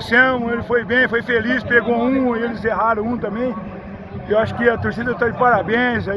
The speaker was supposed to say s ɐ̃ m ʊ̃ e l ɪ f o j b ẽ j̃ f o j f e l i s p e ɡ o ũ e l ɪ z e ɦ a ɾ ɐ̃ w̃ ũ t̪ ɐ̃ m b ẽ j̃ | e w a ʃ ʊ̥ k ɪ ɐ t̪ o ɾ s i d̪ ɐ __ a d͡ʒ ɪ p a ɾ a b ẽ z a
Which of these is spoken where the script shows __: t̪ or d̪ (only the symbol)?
t̪